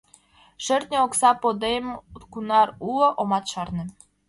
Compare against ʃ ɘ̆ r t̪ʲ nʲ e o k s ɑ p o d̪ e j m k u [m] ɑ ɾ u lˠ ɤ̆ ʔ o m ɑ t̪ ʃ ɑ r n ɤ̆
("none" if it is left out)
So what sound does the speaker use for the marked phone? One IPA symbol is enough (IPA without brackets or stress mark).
n